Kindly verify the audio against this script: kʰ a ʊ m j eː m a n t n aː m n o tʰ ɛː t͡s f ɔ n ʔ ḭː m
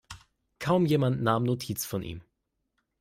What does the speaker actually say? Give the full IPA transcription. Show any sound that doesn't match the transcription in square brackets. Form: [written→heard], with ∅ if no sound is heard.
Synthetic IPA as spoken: kʰ a ʊ m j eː m a n t n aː m n o tʰ [ɛː→iː] t͡s f ɔ n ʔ ḭː m

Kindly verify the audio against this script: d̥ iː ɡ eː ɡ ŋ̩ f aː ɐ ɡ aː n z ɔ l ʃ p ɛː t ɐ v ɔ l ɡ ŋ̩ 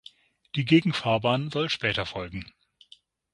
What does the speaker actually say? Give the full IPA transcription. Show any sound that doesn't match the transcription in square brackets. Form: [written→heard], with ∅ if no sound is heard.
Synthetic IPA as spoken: d̥ iː ɡ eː ɡ ŋ̩ f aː ɐ [ɡ→b] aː n z ɔ l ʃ p ɛː t ɐ [v→f] ɔ l ɡ ŋ̩

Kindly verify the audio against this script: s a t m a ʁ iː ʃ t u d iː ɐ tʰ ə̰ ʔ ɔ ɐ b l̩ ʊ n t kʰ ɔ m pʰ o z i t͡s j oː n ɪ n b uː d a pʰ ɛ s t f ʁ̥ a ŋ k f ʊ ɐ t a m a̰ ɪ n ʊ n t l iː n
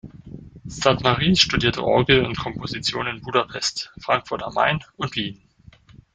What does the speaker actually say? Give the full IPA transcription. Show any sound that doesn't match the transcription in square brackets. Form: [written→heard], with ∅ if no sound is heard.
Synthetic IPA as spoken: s a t m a ʁ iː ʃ t u d iː ɐ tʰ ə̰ ʔ ɔ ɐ [b→ɡ] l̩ ʊ n t kʰ ɔ m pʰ o z i t͡s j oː n ɪ n b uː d a pʰ ɛ s t f ʁ̥ a ŋ k f ʊ ɐ t a m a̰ ɪ n ʊ n t l iː n

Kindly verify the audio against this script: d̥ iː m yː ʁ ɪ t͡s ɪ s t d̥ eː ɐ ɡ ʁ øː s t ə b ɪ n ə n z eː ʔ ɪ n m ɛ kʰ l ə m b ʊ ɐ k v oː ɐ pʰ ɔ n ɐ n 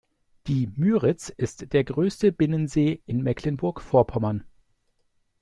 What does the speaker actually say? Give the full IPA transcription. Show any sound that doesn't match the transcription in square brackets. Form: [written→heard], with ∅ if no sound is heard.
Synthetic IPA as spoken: d̥ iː m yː ʁ ɪ t͡s ɪ s t d̥ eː ɐ ɡ ʁ øː s t ə b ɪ n ə n z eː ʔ ɪ n m ɛ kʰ l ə [m→n] b ʊ ɐ k [v→f] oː ɐ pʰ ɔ [n→m] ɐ n

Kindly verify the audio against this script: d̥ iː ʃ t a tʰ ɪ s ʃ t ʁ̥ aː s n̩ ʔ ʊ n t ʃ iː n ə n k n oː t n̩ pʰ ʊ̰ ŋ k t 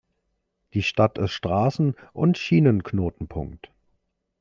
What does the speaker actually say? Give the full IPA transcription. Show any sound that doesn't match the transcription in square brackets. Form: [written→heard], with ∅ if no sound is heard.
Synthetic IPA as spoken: d̥ iː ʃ t a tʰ ɪ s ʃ t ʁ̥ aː s n̩ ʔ ʊ n t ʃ iː n ə n k n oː t n̩ pʰ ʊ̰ ŋ k t

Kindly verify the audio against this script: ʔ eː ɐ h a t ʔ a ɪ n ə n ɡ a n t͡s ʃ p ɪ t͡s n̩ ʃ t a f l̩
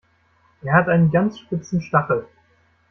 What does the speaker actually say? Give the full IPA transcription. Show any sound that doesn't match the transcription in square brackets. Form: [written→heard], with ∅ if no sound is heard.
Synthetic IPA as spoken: ʔ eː ɐ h a t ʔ a ɪ n ə n ɡ a n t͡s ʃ p ɪ t͡s n̩ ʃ t a [f→χ] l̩

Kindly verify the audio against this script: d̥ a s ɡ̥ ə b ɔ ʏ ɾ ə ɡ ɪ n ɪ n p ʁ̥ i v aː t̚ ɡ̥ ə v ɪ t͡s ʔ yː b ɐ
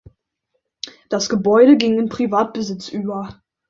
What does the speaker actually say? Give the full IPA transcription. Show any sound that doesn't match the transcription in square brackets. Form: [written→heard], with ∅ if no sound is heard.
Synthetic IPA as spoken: d̥ a s ɡ̥ ə b ɔ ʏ ɾ ə ɡ ɪ [n→ŋ] ɪ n p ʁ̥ i v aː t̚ [ɡ̥→b̥] ə [v→z] ɪ t͡s ʔ yː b ɐ

